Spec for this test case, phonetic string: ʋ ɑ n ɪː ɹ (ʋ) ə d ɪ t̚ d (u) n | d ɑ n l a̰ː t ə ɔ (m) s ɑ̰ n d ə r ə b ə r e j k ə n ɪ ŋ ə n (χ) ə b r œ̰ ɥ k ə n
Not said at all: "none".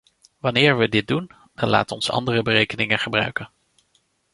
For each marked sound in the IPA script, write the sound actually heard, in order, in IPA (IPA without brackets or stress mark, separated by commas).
ʋ, u, n, χ